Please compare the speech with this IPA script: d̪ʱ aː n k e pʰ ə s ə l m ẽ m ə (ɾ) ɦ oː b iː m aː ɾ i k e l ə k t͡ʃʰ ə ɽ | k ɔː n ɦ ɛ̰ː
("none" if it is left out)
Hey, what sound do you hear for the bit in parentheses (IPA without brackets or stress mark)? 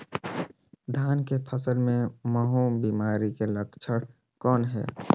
none